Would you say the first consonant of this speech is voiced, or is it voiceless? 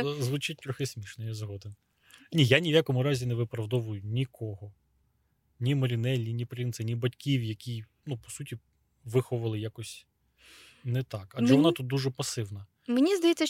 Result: voiced